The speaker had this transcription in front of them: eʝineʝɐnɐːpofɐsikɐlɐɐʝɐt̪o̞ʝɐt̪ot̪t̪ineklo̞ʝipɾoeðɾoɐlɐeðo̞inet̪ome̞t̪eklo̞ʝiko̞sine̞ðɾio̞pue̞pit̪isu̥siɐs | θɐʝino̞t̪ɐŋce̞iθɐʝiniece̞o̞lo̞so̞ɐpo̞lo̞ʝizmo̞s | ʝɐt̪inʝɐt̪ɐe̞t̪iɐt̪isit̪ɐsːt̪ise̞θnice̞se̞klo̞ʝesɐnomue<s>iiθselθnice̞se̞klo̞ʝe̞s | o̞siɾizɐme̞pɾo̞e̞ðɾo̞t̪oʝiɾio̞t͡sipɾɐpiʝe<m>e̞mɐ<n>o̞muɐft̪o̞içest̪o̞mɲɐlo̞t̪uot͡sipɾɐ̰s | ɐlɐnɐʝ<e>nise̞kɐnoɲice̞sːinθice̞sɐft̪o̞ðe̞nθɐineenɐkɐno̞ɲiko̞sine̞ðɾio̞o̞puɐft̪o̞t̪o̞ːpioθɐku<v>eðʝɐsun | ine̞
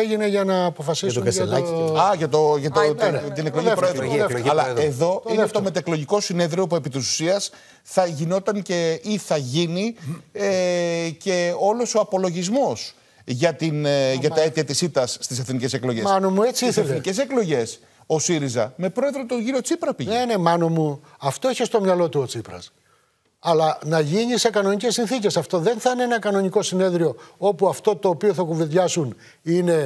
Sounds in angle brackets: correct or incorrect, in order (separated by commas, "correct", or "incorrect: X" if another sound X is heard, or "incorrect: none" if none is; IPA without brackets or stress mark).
incorrect: t͡s, incorrect: n, correct, incorrect: i, correct